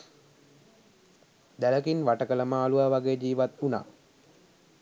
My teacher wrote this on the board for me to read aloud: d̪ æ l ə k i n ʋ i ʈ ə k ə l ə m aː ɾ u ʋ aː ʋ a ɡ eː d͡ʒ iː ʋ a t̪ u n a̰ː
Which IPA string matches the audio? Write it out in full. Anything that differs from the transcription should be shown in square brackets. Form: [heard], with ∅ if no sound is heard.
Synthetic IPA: d̪ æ l ə k i n ʋ [a] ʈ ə k ə l ə m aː [l] u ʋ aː ʋ a ɡ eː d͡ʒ iː ʋ a t̪ u n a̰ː